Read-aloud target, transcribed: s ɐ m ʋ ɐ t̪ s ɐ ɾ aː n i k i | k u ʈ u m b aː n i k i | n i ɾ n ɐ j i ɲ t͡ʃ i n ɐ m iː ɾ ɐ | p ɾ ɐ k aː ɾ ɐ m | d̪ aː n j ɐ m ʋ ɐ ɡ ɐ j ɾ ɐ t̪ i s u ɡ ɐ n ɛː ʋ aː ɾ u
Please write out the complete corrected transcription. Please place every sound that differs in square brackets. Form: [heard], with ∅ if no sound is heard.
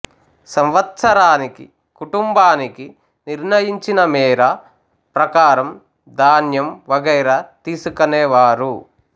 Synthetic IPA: s ɐ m ʋ ɐ t̪ s ɐ ɾ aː n i k i | k u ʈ u m b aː n i k i | n i ɾ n ɐ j i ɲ t͡ʃ i n ɐ m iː ɾ ɐ | p ɾ ɐ k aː ɾ ɐ m | d̪ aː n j ɐ m ʋ ɐ ɡ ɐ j ɾ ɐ t̪ [iː] s u [k] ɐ n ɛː ʋ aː ɾ u